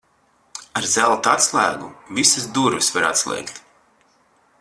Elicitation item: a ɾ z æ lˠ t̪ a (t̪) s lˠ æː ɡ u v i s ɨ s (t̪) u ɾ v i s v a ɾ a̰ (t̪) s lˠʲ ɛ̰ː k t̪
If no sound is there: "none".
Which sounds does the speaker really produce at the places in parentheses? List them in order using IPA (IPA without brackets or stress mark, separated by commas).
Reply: t̪, d̪, t̪